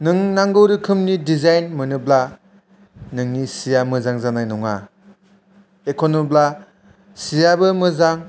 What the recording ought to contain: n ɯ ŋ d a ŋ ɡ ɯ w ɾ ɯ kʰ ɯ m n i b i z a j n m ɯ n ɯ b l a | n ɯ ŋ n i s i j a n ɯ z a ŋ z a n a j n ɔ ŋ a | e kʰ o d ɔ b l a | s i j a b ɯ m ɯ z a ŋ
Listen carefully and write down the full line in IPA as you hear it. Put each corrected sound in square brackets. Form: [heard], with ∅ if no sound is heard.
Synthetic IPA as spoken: n ɯ ŋ [n] a ŋ ɡ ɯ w ɾ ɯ kʰ ɯ m n i [d] i z a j n m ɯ n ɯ b l a | n ɯ ŋ n i s i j a [m] ɯ z a ŋ z a n a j n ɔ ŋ a | e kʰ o [n] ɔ b l a | s i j a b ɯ m ɯ z a ŋ